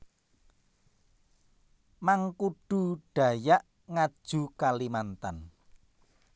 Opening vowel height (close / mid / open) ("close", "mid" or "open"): open